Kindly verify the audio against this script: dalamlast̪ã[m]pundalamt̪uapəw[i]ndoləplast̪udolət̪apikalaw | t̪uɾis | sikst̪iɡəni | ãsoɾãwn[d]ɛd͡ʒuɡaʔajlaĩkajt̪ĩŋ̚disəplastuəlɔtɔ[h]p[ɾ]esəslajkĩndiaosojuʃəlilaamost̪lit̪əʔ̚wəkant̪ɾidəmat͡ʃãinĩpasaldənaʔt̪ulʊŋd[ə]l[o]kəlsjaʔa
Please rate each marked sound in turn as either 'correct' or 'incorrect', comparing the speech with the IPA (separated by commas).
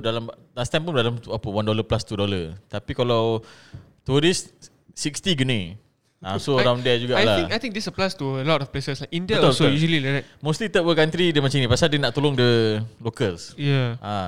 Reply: correct, incorrect, correct, incorrect, incorrect, correct, correct